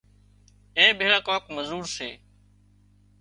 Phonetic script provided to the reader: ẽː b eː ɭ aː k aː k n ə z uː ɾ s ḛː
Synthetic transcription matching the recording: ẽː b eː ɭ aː k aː k m ə z uː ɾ s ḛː

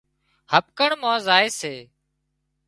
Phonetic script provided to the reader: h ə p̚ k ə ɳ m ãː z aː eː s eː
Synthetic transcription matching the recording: h ə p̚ k ə ɳ m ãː z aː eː s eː

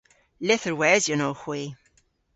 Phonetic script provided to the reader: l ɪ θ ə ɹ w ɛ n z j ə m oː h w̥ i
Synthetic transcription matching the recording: l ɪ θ ə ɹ w ɛ z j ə n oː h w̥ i

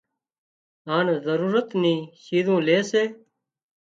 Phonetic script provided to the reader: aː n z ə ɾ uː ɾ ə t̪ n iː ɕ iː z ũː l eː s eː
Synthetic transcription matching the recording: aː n z ə ɾ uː ɾ ə t̪ n iː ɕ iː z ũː l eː s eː

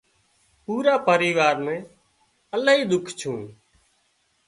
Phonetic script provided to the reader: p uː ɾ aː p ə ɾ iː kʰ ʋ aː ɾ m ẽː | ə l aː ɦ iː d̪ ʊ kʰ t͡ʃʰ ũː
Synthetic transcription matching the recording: p uː ɾ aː p ə ɾ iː ʋ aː ɾ m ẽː | ə l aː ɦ iː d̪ ʊ kʰ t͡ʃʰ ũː

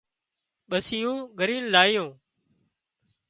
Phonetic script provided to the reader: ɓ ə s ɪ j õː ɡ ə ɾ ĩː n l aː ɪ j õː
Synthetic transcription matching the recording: ɓ ə s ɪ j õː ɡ ə ɾ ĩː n l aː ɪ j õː

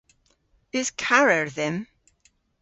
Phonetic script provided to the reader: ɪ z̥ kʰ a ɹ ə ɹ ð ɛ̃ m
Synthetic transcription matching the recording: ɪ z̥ kʰ a ɹ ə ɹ ð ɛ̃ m

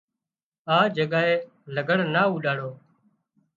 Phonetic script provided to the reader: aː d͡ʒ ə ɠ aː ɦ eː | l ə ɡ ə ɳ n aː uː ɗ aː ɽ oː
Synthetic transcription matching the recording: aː d͡ʒ ə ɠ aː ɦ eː | l ə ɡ ə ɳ n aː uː ɗ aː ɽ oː

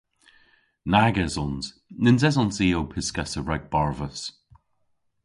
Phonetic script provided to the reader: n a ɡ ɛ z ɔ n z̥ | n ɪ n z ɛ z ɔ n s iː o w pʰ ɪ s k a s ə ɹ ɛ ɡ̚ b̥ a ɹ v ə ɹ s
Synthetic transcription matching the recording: n a ɡ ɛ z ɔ n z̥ | n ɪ n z ɛ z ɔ n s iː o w pʰ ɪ s k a s ə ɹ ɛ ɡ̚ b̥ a ɹ v ə s

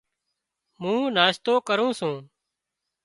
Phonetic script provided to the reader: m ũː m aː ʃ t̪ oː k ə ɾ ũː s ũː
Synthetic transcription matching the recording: m ũː n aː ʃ t̪ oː k ə ɾ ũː s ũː

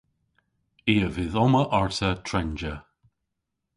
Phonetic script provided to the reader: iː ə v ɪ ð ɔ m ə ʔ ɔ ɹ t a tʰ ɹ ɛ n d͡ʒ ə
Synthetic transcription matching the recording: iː ə v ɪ ð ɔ m ə ʔ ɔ ɹ t ə tʰ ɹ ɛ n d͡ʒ ə

